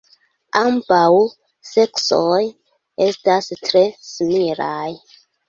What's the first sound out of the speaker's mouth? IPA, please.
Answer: a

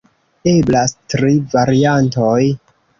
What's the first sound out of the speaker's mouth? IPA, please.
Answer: e̞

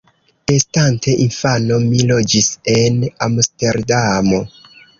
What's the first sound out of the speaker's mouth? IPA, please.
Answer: e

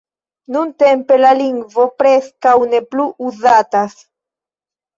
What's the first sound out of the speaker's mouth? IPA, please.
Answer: n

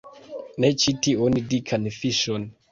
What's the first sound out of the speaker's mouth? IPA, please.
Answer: n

